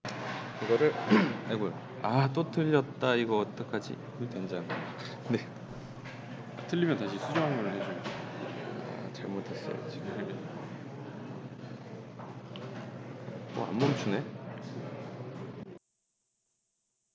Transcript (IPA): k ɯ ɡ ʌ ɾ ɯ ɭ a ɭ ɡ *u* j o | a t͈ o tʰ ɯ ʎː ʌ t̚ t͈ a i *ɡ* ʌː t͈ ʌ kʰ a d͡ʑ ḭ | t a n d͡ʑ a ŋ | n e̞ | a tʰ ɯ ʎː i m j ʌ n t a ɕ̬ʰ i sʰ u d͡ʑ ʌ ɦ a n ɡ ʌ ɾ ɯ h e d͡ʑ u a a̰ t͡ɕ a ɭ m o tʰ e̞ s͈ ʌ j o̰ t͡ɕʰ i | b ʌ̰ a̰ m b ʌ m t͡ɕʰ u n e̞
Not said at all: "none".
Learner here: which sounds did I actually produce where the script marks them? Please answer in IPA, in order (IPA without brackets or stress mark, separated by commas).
o, ɡ